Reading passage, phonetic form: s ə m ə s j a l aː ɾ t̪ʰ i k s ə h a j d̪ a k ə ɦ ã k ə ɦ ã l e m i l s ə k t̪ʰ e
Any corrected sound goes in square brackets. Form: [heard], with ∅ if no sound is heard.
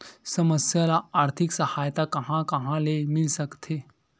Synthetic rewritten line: s ə m ə s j a l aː ɾ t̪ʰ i k s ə h a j [t̪] a k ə ɦ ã k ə ɦ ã l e m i l s ə k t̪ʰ e